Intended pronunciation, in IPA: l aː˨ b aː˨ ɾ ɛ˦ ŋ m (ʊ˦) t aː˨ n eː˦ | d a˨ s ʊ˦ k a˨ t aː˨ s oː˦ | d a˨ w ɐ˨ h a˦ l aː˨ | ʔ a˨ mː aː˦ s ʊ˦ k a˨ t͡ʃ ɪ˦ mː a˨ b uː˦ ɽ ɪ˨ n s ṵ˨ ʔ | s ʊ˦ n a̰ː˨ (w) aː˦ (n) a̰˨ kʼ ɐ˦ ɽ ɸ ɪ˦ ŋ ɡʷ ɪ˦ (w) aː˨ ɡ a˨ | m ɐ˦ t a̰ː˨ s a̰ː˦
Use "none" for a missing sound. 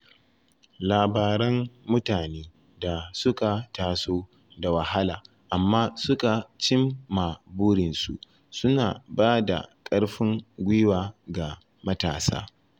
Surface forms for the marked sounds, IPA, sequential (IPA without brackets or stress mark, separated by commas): ʊ˦, b, d, w